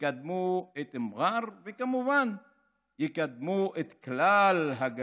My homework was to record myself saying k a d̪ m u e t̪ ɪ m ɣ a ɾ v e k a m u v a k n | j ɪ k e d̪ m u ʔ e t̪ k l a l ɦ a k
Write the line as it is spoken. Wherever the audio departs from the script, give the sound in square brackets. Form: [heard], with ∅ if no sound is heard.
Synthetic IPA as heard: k a d̪ m u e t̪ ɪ m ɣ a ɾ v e k a m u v a [∅] n | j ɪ k [a] d̪ m u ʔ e t̪ k l a l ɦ a [ɡ]